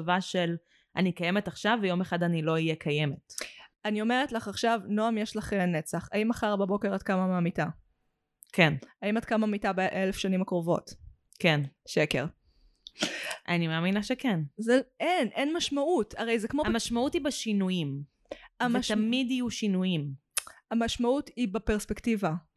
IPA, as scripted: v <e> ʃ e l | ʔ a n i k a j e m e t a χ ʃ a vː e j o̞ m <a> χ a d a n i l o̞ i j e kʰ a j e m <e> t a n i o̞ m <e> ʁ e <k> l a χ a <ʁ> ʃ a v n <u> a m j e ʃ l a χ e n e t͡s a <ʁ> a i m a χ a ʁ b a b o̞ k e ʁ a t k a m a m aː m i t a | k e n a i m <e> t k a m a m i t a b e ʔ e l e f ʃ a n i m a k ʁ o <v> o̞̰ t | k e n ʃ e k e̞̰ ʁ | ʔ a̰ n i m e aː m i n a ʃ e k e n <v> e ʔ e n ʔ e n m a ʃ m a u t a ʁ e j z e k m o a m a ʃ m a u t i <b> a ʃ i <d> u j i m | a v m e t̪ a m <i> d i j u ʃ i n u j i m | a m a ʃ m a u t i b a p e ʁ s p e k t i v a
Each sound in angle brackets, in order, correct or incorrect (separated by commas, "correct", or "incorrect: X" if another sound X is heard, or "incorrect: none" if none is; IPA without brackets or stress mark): incorrect: a, incorrect: e, correct, correct, incorrect: t, incorrect: χ, incorrect: o, incorrect: χ, incorrect: a, correct, incorrect: z, correct, incorrect: n, correct